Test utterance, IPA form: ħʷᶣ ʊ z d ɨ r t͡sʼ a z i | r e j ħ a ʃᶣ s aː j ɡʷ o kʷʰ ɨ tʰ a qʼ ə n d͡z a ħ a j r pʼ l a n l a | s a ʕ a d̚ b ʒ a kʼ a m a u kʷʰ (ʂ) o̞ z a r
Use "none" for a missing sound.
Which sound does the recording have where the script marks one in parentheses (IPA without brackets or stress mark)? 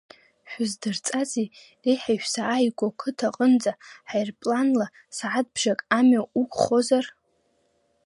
χ